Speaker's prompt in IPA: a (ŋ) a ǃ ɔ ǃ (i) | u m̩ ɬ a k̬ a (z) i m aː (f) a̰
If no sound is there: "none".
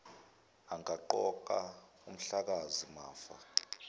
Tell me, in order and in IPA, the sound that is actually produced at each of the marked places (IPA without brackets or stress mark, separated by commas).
ŋ, a, z, f